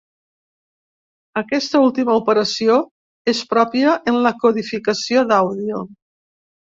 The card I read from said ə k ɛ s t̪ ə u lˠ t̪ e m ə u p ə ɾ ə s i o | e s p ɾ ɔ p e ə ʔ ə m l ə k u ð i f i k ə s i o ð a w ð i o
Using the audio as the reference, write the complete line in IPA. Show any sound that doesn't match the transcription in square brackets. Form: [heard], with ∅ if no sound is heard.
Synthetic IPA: ə k ɛ s t̪ ə u lˠ t̪ [i] m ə u p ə ɾ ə s i o | e s p ɾ ɔ p [i] ə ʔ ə [n] l ə k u ð i f i k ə s i o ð a w ð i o